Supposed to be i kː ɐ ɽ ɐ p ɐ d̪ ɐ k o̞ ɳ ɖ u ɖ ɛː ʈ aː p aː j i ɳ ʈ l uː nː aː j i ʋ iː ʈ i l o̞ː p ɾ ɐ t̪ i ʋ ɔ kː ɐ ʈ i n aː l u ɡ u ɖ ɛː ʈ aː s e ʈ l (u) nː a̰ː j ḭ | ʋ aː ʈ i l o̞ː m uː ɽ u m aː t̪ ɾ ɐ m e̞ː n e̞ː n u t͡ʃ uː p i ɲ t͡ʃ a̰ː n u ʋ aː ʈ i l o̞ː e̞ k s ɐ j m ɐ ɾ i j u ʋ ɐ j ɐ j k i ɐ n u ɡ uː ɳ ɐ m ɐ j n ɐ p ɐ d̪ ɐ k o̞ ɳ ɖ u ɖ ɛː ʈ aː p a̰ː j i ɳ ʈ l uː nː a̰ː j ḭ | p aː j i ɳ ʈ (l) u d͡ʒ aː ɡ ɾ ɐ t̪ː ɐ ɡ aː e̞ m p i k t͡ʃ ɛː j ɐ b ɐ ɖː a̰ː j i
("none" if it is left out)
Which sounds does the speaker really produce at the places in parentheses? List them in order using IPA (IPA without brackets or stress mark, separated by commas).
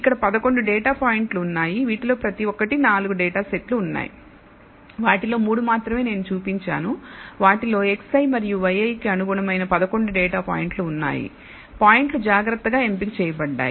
uː, l